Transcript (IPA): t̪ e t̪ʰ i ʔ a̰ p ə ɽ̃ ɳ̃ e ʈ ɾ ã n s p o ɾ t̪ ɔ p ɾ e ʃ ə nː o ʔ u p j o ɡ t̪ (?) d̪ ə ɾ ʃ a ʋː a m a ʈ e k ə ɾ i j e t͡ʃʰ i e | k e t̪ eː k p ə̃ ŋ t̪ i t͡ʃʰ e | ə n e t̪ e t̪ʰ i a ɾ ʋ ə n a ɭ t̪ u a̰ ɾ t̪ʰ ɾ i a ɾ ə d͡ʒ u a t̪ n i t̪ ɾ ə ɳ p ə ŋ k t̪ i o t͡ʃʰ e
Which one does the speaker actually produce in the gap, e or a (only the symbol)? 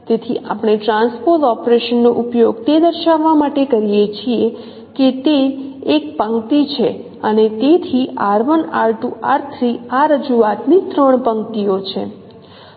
e